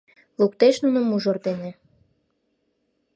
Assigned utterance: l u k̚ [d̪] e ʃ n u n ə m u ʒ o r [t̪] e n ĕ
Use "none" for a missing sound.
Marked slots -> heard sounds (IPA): t̪, d̪

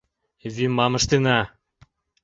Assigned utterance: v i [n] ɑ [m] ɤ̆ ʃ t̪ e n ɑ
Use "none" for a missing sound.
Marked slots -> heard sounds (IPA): m, m

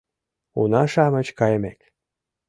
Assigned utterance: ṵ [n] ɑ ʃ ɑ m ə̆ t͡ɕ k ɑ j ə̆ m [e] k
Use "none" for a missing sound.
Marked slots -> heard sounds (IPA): n, e

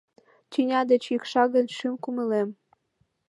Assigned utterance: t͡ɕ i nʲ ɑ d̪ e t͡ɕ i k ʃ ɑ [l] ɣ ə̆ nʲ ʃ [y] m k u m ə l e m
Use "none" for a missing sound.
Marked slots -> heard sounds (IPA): none, y

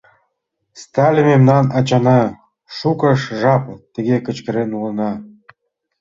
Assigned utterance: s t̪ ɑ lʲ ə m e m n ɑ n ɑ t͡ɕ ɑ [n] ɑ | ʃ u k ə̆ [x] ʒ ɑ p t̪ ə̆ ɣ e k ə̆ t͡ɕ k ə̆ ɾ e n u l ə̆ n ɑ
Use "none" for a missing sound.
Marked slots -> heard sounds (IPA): n, ʃ

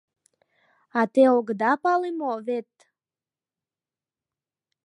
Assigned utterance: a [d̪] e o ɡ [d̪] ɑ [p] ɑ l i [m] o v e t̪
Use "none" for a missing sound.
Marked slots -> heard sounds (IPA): t̪, d̪, p, m

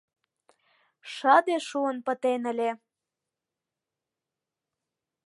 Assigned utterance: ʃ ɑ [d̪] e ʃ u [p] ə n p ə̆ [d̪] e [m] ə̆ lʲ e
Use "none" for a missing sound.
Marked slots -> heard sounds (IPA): d̪, none, t̪, n

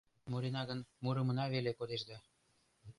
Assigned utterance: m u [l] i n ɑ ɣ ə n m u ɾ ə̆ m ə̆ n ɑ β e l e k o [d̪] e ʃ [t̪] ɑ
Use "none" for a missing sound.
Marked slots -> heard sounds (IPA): ɾ, d̪, d̪

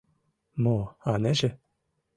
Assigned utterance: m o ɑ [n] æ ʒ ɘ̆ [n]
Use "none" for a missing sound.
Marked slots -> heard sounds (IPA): n, none

